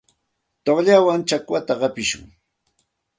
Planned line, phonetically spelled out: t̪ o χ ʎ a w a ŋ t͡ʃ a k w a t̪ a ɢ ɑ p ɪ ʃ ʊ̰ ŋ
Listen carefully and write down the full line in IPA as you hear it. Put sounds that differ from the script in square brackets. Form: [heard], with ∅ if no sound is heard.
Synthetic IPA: t̪ o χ ʎ a w a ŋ t͡ʃ a k w a t̪ a ɢ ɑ p ɪ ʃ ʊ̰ ŋ